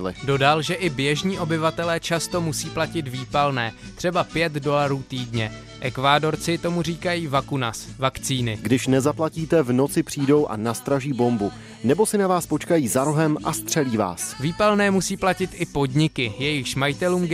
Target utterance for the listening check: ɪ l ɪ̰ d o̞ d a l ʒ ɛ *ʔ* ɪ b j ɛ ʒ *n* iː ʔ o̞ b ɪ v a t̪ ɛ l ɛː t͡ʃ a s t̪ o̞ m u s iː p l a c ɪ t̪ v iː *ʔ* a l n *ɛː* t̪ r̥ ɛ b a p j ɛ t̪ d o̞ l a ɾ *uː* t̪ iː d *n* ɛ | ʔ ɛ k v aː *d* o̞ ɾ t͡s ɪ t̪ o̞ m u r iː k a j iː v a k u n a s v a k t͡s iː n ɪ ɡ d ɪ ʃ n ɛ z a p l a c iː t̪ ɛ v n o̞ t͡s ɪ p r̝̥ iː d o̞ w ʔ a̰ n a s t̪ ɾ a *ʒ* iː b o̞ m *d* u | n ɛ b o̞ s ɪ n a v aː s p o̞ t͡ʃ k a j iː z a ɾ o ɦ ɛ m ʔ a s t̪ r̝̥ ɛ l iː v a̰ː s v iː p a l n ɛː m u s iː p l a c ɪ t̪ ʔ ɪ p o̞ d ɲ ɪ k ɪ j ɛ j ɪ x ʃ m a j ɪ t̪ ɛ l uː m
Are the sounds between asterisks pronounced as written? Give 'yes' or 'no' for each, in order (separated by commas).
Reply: yes, no, no, yes, yes, no, yes, yes, no